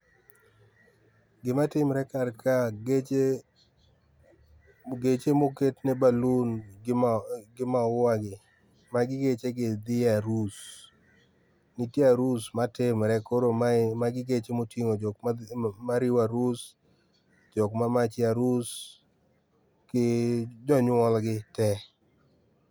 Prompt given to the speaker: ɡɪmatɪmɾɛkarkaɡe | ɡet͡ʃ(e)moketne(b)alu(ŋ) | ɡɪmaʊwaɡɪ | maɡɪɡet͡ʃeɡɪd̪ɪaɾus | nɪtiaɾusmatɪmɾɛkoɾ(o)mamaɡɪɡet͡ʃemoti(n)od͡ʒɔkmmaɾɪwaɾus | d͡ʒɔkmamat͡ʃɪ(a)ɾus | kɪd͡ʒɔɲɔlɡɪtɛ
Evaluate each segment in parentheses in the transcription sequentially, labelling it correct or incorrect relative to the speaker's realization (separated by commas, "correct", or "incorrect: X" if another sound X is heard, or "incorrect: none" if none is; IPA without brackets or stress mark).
correct, correct, incorrect: n, correct, incorrect: ŋ, correct